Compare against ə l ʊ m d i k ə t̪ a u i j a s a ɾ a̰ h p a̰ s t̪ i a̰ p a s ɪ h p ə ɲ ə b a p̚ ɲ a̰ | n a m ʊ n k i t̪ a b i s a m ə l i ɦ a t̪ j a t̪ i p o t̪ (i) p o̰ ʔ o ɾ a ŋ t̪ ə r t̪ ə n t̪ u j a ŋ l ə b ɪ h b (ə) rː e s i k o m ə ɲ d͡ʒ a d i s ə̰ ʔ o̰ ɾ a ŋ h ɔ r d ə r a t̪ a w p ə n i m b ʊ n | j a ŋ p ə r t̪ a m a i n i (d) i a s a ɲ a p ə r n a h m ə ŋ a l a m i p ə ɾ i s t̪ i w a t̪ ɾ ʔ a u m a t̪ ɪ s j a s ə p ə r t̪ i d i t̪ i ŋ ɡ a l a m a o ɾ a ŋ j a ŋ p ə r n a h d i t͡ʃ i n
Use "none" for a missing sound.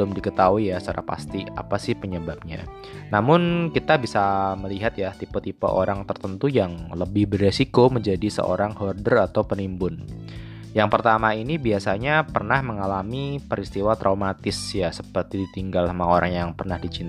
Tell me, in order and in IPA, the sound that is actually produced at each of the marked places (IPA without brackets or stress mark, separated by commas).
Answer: i, ə, b